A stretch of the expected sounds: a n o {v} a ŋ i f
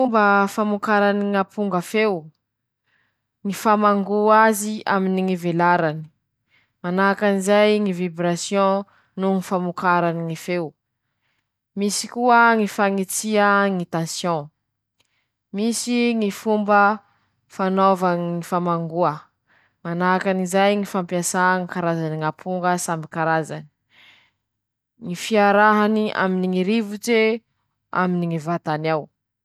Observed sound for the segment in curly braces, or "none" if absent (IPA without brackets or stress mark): v